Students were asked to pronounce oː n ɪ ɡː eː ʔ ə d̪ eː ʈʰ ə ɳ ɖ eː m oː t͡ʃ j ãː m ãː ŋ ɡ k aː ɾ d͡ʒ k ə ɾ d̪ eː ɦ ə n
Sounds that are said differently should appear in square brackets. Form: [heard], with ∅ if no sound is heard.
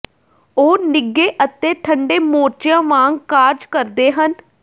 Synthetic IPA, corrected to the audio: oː n ɪ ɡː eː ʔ ə [t̪] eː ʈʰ ə ɳ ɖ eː m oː t͡ʃ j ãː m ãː ŋ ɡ k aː ɾ d͡ʒ k ə ɾ d̪ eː ɦ ə n